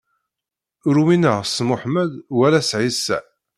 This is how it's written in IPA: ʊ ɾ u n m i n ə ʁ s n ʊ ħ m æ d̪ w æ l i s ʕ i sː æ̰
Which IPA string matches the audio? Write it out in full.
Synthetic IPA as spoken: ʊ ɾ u m i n ə ʁ s m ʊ ħ m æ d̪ w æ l æ s ʕ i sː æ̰